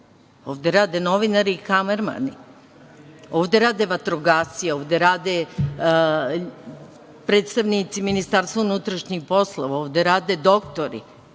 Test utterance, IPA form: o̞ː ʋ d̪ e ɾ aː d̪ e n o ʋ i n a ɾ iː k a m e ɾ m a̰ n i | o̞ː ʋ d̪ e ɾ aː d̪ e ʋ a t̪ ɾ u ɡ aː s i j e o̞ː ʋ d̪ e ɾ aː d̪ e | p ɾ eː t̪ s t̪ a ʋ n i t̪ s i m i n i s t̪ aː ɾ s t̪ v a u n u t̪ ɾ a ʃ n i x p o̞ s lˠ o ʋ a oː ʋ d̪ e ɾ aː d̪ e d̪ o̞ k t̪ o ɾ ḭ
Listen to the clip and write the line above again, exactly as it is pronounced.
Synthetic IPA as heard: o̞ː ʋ d̪ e ɾ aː d̪ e n o ʋ i n a ɾ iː k a m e ɾ m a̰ n i | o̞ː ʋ d̪ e ɾ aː d̪ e ʋ a t̪ ɾ o ɡ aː s i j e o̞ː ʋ d̪ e ɾ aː d̪ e | p ɾ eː t̪ s t̪ a ʋ n i t̪ s i m i n i s t̪ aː ɾ s t̪ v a u n u t̪ ɾ a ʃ ɲ i x p o̞ s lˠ o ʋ a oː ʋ d̪ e ɾ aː d̪ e d̪ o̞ k t̪ o ɾ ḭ